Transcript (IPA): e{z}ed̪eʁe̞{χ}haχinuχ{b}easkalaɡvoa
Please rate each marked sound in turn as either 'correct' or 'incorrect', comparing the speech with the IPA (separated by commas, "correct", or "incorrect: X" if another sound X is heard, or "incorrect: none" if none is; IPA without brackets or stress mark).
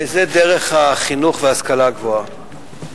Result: correct, correct, incorrect: v